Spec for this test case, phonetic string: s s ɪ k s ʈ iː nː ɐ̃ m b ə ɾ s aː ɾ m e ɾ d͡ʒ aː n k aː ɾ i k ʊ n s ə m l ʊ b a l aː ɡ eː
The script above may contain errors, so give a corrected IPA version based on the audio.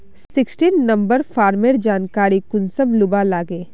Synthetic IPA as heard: s s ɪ k s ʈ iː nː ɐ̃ m b ə ɾ f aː ɾ m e ɾ d͡ʒ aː n k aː ɾ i k ʊ n s ə m l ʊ b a l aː ɡ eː